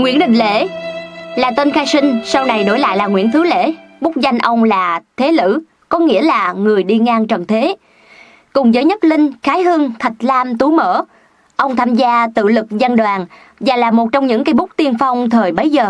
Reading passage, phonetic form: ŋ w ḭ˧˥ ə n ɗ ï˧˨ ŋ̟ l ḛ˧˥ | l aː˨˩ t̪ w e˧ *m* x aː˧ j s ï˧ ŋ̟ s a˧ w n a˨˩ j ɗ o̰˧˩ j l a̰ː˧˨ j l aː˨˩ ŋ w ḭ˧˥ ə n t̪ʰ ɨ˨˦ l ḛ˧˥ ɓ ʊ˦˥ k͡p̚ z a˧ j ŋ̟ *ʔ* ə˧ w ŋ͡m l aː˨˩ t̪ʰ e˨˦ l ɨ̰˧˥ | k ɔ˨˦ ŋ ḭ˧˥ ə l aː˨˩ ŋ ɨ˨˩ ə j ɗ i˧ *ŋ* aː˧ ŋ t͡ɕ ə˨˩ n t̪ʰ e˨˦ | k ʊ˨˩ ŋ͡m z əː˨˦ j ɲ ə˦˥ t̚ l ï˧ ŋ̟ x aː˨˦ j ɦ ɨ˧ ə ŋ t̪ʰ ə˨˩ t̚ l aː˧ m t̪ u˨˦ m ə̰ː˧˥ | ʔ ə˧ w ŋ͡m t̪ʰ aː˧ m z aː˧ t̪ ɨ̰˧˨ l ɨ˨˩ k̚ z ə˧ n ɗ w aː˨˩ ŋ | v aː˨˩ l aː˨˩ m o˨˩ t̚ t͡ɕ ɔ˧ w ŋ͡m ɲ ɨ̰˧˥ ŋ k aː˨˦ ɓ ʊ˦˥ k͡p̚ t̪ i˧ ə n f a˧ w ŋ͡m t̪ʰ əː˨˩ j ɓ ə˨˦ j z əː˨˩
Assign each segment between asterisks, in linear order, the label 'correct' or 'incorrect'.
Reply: incorrect: n, correct, correct

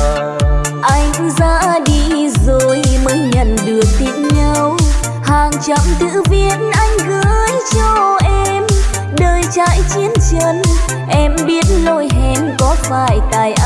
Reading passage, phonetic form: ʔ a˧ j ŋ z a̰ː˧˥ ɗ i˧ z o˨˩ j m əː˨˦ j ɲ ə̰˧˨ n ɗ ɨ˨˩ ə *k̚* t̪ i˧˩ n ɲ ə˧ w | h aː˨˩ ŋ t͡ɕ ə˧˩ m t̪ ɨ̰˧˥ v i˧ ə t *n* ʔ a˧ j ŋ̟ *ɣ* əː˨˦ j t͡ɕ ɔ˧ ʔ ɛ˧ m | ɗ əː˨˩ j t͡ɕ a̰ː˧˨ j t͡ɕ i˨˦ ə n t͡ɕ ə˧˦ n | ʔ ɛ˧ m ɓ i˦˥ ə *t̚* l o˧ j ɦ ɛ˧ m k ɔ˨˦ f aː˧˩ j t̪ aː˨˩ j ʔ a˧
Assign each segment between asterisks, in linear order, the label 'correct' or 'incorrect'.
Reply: correct, correct, correct, correct

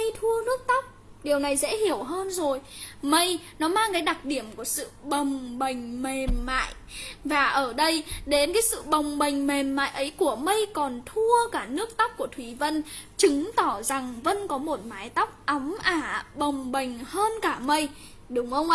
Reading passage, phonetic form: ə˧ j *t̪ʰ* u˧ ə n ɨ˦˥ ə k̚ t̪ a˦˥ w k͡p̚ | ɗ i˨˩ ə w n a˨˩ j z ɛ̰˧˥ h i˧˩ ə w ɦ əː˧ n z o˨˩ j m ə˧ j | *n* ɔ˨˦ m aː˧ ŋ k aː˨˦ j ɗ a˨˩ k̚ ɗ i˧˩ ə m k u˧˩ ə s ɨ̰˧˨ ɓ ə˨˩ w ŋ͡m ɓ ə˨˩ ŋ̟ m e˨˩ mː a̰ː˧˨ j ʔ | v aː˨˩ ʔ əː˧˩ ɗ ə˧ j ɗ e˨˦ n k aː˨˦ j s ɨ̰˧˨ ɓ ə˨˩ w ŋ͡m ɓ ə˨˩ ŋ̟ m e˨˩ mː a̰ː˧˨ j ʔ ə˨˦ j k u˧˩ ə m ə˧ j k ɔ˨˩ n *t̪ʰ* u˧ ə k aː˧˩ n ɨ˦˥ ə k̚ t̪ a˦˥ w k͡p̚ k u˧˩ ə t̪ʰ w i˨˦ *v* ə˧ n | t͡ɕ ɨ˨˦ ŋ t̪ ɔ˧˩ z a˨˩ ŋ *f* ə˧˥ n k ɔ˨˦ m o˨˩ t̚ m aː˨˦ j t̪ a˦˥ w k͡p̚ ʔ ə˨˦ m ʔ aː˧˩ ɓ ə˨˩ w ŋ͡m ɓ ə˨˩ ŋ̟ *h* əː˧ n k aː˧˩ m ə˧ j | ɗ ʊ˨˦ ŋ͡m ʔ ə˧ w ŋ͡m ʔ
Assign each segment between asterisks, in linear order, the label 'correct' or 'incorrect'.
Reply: correct, correct, correct, correct, incorrect: v, correct

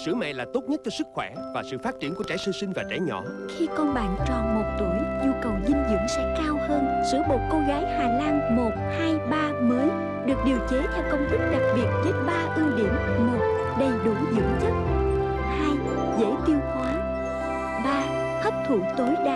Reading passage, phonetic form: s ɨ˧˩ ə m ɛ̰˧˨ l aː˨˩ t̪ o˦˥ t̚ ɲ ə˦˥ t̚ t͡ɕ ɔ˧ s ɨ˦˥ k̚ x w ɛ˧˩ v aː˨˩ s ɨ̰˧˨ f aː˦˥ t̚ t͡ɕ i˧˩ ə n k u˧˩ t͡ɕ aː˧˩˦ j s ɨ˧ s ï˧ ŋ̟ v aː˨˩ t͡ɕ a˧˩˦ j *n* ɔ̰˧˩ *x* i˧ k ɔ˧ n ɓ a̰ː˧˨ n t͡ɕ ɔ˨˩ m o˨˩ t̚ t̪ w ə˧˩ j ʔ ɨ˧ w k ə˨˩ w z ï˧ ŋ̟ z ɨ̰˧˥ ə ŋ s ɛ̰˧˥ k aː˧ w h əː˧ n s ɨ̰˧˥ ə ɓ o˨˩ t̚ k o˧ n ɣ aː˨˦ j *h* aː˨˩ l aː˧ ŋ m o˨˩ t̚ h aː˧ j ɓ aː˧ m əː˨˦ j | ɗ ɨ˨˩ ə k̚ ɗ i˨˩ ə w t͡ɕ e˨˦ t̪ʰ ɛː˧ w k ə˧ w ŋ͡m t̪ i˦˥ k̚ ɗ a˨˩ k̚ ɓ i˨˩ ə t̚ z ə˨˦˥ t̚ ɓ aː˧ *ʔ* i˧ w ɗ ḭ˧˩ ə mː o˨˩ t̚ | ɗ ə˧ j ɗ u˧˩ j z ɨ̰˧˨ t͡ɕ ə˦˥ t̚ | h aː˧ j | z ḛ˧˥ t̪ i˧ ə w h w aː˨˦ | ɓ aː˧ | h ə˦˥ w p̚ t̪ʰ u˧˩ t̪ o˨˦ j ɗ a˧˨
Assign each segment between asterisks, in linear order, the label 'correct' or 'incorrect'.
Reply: incorrect: ɲ, correct, correct, correct

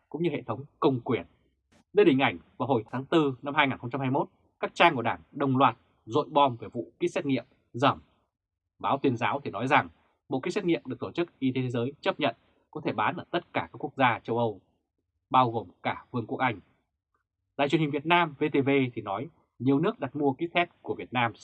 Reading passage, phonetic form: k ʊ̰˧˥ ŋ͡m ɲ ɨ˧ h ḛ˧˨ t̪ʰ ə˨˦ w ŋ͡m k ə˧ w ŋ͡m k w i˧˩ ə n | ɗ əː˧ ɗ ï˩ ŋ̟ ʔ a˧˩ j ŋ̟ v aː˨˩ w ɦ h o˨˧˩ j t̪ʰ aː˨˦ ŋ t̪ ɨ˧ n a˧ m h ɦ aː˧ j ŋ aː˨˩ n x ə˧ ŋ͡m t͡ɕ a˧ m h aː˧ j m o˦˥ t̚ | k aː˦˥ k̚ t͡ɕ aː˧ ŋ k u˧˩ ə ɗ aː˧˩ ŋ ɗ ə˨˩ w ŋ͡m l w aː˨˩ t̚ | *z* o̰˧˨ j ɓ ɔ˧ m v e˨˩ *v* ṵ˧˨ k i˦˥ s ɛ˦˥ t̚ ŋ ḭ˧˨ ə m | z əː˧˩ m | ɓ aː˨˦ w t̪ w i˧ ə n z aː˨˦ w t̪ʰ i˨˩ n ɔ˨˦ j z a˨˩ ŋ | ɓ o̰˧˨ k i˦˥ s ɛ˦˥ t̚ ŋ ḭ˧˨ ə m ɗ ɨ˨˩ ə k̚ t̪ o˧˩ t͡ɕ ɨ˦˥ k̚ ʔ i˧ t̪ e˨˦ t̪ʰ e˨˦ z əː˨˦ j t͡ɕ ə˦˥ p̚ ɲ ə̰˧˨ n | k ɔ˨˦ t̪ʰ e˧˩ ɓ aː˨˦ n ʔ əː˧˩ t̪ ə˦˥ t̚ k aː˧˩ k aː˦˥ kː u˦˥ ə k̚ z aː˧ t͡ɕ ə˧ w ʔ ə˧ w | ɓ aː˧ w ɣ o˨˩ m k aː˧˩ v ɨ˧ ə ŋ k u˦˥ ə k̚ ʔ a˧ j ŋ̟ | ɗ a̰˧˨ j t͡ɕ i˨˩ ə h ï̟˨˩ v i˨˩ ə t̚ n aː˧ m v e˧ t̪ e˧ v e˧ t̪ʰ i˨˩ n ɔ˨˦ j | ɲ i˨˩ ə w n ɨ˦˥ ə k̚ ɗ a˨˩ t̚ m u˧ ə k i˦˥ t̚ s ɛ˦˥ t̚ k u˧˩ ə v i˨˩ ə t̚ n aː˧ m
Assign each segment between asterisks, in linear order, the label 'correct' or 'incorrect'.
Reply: correct, correct

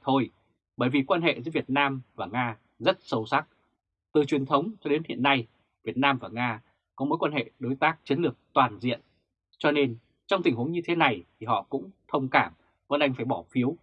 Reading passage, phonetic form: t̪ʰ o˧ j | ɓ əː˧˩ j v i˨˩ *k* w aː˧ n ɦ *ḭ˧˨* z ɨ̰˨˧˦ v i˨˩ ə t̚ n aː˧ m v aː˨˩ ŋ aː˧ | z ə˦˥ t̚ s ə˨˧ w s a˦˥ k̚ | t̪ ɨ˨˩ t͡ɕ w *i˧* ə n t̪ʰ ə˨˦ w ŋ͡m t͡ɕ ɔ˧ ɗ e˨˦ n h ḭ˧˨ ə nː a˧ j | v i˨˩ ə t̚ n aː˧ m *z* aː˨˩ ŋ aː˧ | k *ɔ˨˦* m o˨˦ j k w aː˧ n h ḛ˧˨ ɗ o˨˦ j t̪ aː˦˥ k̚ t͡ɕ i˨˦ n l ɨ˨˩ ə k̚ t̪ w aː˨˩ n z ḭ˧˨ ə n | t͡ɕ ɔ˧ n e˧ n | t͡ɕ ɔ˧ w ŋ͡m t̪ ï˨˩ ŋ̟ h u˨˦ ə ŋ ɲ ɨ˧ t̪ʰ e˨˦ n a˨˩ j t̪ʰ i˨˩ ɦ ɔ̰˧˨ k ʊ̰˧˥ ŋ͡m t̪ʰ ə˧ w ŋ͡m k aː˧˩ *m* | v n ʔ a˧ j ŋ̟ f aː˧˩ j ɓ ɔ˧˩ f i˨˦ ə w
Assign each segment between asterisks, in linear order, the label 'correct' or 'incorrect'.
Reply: correct, incorrect: ḛ˧˨, incorrect: i˨˩, incorrect: v, correct, correct

